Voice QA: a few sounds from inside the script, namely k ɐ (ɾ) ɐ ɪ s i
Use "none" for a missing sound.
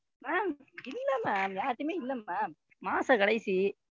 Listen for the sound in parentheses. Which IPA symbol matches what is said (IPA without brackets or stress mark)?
ɽ